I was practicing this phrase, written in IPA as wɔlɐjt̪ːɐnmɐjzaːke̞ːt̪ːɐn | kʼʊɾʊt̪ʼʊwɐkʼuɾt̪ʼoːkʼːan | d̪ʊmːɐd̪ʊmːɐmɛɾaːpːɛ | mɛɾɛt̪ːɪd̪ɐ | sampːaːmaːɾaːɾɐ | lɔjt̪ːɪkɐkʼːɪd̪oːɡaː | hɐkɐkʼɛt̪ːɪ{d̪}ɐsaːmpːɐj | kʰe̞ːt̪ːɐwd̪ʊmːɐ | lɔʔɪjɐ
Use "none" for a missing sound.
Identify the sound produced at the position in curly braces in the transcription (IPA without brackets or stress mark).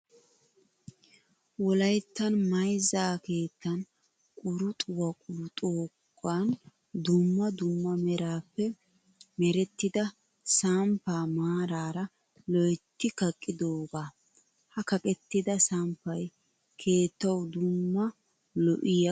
d̪